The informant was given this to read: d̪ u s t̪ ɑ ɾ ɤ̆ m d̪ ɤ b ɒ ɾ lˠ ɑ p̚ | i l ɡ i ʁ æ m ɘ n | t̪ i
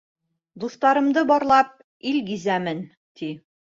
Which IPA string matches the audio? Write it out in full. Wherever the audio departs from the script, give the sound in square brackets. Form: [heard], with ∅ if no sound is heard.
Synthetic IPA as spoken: d̪ u [θ] t̪ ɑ ɾ ɤ̆ m d̪ ɤ b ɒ ɾ lˠ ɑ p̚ | i l ɡ i [z] æ m ɘ n | t̪ i